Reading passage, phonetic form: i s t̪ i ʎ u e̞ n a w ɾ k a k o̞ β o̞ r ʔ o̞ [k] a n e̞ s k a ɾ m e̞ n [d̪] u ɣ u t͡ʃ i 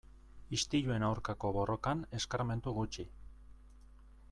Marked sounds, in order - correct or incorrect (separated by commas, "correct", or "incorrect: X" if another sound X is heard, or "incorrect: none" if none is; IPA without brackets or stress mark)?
correct, incorrect: t̪